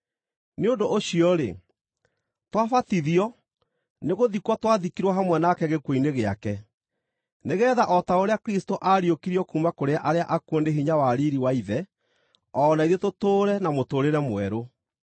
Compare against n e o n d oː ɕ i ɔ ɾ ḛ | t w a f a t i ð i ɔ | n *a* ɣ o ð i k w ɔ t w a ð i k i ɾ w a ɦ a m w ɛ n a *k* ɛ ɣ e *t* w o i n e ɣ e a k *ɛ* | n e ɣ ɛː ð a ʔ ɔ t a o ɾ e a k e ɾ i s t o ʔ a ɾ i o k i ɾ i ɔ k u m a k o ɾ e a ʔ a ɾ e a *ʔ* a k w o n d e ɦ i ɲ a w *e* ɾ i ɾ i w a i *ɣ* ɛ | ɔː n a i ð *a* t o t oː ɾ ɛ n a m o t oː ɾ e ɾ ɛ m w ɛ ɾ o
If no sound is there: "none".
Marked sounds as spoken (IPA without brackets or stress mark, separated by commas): e, k, k, ɛ, ʔ, a, ð, e